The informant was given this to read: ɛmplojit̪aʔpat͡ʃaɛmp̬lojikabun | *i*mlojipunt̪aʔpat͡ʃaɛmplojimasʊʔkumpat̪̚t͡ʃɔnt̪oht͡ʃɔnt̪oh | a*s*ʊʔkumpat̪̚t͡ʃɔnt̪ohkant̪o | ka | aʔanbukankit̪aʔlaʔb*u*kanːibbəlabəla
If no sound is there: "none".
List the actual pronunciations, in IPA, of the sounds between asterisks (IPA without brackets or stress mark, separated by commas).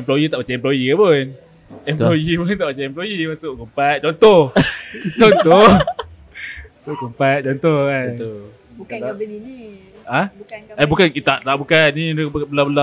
ɛ, s, u